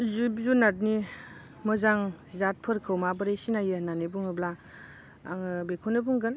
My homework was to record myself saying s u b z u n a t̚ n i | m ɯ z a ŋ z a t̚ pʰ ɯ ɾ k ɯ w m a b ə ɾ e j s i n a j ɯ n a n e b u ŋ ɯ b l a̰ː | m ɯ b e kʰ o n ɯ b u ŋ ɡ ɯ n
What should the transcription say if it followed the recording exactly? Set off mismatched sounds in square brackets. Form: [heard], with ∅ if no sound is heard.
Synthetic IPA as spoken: [z] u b z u n a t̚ n i | m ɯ z a ŋ z a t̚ pʰ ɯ ɾ [kʰ] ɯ w m a b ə ɾ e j s i n a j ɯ n a n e b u ŋ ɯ b l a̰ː | [ŋ] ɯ b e kʰ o n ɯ b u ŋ ɡ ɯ n